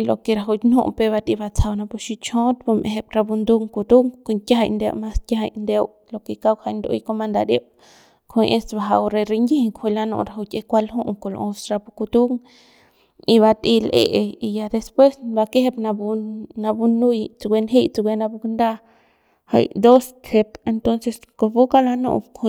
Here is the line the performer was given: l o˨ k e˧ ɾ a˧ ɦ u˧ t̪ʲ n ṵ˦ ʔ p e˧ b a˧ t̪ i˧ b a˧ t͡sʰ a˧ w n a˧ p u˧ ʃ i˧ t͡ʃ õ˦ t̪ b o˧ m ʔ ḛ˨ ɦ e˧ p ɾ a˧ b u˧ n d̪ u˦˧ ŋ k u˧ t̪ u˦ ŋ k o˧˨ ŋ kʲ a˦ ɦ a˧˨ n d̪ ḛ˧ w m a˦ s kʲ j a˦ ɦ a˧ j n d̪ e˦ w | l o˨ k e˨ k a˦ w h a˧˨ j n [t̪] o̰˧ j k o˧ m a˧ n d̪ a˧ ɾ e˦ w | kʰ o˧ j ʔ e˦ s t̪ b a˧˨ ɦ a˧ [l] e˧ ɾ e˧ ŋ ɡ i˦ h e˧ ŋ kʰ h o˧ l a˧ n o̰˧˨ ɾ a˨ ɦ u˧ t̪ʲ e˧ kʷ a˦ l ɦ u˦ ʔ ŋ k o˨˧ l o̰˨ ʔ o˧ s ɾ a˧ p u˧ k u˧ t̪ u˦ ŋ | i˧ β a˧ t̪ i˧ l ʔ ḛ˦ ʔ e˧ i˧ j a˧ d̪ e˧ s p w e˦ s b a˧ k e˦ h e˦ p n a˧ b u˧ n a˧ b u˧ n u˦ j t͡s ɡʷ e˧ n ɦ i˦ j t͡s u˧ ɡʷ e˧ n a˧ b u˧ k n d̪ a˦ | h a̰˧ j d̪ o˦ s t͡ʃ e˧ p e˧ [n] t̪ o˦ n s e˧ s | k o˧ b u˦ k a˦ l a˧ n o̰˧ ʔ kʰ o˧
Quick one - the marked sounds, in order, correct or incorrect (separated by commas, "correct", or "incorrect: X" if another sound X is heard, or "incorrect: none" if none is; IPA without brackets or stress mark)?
incorrect: d̪, incorrect: ɾ, correct